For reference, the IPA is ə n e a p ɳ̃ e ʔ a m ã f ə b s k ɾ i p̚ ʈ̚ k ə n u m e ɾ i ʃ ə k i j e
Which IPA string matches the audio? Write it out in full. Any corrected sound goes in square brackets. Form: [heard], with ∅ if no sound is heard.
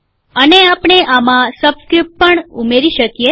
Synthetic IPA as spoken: ə n e a p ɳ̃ e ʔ a m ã [s] ə b s k ɾ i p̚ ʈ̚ [p] ə [ɳ] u m e ɾ i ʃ ə k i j e